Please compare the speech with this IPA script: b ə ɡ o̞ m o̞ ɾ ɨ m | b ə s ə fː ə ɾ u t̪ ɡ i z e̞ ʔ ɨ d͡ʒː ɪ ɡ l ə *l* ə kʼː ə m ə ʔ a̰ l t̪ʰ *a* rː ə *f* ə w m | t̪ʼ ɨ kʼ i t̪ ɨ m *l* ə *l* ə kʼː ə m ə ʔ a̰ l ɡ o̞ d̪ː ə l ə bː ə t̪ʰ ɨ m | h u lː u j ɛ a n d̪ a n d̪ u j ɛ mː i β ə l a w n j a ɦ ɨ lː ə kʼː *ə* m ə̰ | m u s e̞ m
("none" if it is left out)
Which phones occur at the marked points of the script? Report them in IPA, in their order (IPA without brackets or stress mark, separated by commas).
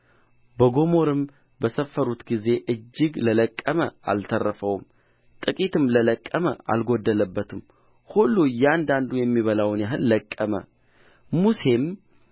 l, ə, f, l, l, ə